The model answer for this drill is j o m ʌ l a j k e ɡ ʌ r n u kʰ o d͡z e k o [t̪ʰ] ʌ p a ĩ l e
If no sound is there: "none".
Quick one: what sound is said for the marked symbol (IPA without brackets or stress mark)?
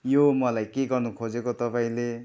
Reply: t̪